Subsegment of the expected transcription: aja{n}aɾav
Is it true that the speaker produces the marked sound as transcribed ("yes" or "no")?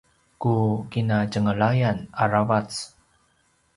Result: yes